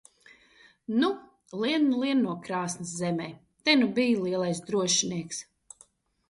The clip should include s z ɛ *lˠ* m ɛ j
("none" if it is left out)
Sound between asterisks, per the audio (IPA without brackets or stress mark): none